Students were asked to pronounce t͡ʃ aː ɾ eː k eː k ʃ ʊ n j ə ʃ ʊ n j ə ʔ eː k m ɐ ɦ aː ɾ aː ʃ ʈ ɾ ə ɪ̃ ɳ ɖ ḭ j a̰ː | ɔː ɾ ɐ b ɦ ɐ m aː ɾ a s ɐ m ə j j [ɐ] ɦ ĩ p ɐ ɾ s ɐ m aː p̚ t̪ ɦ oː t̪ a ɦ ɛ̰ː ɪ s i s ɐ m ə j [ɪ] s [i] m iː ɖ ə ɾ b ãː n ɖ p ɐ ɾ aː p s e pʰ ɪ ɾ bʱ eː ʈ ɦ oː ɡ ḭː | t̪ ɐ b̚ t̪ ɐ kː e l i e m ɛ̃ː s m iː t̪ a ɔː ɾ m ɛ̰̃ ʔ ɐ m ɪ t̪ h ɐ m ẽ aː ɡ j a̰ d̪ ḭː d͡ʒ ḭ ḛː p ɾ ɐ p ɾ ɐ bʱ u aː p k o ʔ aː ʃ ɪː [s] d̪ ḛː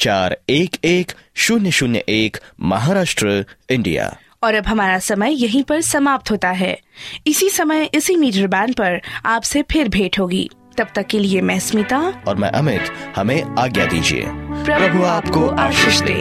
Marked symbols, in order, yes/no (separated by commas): yes, yes, yes, no